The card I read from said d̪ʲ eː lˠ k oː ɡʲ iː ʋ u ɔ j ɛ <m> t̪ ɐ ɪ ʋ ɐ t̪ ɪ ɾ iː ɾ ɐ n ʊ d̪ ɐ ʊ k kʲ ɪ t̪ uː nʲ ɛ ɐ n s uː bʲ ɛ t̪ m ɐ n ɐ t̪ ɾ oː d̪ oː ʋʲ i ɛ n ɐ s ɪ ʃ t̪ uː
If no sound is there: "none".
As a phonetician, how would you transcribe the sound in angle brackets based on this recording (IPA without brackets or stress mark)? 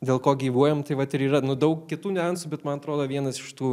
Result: m